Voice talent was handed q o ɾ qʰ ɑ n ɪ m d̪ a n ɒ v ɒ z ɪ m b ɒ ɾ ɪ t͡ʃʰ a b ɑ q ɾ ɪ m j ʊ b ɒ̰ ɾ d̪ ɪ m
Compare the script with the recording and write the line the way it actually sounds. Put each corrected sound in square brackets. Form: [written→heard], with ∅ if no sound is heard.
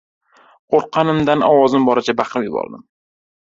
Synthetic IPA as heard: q o ɾ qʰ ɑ n ɪ m d̪ a n ɒ [v→w] ɒ z ɪ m b ɒ ɾ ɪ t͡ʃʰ a b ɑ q ɾ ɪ m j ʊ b ɒ̰ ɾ d̪ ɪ m